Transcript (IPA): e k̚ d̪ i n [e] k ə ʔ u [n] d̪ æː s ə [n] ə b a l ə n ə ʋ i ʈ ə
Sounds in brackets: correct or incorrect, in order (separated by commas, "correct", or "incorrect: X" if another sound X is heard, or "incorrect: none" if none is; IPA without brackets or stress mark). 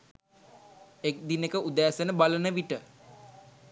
correct, incorrect: none, correct